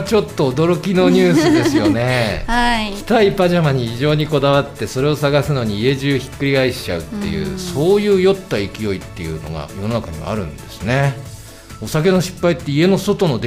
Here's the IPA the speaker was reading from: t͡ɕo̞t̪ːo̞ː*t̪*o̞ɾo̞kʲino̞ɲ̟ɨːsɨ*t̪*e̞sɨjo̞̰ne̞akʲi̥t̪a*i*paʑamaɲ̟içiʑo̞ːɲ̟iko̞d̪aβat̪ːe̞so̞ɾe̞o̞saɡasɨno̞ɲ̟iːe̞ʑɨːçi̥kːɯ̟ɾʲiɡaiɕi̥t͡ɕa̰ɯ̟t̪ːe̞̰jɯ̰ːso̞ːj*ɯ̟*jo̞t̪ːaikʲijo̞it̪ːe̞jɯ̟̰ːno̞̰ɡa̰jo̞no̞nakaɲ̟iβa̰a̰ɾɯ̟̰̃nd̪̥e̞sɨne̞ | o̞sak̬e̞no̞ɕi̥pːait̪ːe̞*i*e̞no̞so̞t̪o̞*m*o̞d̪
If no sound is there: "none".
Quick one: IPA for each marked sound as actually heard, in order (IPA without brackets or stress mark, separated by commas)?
d̪, d̪, i, ɯ̟ː, i, n